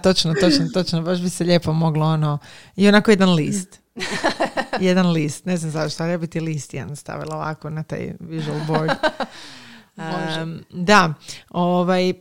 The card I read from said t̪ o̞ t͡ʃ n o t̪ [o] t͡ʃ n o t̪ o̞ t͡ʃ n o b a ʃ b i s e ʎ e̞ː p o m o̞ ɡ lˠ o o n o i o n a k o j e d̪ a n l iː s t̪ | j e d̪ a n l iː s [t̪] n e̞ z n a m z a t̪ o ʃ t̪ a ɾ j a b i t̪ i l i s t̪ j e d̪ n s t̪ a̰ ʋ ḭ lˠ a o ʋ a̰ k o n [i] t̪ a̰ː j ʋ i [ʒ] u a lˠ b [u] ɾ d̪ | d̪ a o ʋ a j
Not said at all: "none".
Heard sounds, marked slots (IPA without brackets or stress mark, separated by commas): o, t̪, a, ʒ, o